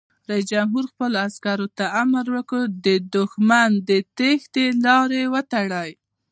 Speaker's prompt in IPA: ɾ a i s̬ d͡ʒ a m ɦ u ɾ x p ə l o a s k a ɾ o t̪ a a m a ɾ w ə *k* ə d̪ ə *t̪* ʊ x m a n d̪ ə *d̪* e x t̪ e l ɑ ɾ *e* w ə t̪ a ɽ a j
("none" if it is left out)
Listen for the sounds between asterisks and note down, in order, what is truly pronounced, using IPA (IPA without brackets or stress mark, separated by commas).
k, d̪, t̪, e